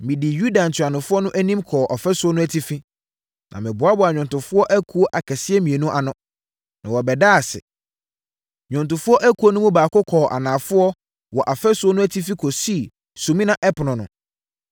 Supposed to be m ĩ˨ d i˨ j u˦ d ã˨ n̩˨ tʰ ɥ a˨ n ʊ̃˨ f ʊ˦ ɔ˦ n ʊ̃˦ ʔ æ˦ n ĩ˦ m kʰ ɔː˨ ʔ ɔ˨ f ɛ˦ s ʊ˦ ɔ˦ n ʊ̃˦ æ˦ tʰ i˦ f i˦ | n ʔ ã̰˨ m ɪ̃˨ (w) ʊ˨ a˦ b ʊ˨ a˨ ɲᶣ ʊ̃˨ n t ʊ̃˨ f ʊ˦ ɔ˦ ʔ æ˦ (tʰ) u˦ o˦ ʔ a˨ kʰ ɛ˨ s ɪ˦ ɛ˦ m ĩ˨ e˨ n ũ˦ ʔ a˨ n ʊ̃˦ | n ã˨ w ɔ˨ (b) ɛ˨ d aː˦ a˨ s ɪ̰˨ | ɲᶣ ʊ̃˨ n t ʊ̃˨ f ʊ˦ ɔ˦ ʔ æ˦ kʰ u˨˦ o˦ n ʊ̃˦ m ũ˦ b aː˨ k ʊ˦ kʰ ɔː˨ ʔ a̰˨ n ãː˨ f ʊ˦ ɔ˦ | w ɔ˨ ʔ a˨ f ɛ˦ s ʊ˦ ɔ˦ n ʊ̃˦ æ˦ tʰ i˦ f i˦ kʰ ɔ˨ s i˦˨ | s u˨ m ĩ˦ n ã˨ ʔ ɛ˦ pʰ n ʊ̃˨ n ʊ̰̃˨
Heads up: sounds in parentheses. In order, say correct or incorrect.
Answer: incorrect: b, incorrect: kʰ, correct

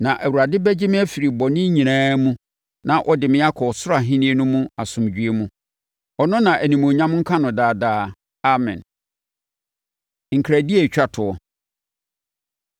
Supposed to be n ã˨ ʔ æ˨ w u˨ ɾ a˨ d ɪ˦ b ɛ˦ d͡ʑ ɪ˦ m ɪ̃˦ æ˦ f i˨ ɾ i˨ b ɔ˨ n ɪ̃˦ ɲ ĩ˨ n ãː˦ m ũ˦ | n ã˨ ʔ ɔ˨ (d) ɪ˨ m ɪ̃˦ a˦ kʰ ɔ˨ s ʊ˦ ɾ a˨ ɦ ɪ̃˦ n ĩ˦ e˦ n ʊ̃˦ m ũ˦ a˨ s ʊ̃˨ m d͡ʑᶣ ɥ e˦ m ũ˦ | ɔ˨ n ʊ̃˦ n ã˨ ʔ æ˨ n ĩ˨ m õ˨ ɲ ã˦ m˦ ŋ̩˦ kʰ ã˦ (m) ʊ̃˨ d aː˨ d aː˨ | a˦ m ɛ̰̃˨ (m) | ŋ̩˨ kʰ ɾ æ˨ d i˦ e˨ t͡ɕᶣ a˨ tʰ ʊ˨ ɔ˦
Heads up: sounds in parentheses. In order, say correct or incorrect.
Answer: correct, incorrect: n, incorrect: n

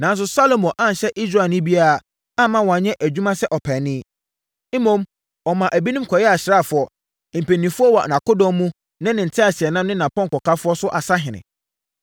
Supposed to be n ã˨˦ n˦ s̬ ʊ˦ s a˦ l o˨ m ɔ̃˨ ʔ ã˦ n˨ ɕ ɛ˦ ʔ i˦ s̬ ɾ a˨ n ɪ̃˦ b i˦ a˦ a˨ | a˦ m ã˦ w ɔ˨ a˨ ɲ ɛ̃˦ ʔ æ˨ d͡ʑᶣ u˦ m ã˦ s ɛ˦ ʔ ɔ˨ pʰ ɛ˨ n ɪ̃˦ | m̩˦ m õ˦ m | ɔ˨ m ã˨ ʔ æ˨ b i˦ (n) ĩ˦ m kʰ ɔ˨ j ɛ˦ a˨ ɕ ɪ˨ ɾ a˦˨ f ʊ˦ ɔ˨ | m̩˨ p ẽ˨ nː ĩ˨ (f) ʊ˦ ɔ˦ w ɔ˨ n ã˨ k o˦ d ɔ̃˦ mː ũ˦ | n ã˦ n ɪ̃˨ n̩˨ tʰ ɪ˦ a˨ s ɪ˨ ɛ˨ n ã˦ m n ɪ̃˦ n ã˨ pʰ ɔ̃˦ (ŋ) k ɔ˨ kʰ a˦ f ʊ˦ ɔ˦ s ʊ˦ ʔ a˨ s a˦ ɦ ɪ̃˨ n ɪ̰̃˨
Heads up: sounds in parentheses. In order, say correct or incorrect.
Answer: correct, correct, correct

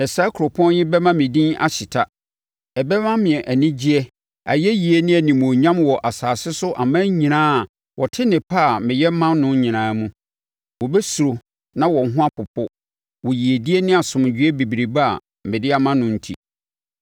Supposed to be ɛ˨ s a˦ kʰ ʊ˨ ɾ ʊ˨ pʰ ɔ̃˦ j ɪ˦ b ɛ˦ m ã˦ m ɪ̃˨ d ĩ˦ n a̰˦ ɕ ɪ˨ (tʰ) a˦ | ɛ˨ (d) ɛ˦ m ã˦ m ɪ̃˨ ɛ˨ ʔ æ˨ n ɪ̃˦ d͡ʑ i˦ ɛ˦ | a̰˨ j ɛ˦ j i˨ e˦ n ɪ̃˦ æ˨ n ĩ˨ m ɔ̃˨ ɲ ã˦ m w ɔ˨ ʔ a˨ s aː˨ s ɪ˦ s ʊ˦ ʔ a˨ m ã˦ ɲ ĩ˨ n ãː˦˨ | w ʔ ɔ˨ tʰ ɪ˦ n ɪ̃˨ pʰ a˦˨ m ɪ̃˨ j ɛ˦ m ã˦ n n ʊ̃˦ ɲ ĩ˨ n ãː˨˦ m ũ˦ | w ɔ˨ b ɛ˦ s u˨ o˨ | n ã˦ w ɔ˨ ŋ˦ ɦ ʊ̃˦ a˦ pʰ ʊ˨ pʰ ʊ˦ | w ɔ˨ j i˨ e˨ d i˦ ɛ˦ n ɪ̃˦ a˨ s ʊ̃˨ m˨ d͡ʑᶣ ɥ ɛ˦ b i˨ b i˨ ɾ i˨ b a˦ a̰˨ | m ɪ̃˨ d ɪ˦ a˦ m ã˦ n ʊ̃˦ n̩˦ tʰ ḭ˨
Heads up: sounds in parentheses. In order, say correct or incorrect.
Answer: correct, incorrect: b

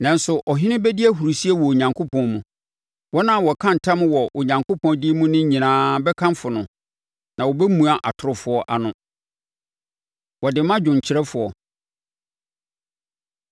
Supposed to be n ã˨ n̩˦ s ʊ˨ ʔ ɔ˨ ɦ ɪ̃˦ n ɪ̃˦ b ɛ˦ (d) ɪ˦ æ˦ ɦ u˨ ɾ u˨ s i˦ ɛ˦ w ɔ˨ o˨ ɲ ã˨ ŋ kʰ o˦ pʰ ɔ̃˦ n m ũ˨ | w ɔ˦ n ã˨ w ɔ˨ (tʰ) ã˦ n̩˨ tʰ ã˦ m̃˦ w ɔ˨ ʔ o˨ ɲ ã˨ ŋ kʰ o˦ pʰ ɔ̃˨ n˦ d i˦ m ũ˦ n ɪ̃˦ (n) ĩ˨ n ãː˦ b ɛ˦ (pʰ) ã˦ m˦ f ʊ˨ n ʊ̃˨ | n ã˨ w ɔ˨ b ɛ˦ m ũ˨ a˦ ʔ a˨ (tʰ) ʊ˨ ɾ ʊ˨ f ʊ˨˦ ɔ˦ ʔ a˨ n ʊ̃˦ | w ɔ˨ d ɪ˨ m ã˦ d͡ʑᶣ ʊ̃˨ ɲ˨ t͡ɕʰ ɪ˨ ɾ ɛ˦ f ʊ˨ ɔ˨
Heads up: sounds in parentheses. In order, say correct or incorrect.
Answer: correct, incorrect: kʰ, incorrect: ɲ, incorrect: kʰ, correct

